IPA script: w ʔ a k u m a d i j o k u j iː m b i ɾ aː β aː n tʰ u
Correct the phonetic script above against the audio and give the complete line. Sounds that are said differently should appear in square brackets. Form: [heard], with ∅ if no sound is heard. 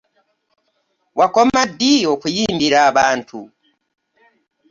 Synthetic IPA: w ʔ a k [o] m a d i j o k u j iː m b i ɾ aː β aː n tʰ u